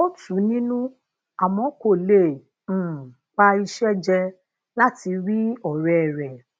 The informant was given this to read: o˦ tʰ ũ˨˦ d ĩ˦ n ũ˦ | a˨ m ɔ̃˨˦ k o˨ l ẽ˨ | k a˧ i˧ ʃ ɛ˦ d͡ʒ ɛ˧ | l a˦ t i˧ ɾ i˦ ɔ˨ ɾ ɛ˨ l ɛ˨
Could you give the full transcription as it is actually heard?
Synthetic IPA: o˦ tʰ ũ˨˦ n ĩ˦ n ũ˦ | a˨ m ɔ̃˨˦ k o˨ l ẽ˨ | k͡p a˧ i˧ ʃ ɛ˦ d͡ʒ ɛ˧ | l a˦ t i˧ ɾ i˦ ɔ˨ ɾ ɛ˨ ɾ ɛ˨